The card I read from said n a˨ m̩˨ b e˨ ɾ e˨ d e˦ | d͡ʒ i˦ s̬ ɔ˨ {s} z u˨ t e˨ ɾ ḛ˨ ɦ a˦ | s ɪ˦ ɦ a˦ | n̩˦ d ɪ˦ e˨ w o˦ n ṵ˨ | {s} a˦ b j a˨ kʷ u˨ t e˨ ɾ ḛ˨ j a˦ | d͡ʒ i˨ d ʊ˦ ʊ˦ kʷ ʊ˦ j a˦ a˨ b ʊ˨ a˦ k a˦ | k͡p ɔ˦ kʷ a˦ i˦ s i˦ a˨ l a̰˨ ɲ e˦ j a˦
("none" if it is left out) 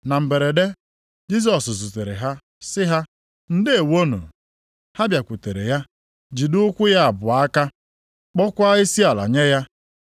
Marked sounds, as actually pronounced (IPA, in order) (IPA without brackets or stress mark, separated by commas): s, h